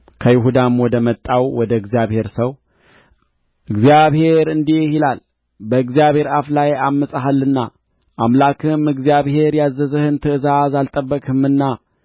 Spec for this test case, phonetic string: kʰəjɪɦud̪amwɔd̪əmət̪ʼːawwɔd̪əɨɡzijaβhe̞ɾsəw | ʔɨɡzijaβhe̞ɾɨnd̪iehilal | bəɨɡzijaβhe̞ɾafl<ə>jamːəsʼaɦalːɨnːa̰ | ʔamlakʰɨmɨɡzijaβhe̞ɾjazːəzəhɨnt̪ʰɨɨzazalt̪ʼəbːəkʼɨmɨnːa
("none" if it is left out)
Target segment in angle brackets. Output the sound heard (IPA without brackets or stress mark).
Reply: a